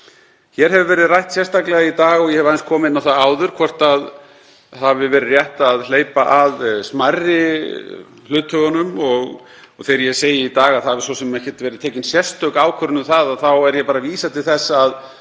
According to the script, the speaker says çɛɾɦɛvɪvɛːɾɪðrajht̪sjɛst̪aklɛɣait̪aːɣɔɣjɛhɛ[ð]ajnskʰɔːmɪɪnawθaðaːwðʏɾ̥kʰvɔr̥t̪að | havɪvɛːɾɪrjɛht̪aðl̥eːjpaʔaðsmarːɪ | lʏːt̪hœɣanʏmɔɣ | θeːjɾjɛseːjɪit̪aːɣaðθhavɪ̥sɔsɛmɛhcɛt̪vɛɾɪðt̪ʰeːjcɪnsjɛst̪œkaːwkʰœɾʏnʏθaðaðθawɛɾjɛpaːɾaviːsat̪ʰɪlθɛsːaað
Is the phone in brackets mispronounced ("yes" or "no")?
yes